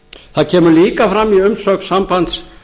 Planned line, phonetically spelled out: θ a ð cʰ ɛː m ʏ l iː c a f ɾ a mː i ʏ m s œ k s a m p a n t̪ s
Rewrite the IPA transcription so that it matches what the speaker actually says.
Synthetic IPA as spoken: θ a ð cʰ ɛː m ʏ l iː k a f ɾ a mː i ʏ m s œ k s a m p a n t̪ s